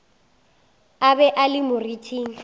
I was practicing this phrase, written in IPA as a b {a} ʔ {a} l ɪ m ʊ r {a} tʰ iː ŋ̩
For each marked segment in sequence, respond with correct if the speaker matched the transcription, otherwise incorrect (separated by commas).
incorrect, correct, incorrect